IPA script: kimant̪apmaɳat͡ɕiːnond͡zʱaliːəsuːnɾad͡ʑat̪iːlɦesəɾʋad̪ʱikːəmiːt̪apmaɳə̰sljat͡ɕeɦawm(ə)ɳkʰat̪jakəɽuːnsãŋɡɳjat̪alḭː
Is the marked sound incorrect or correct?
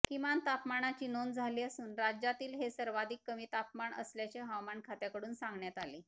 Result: incorrect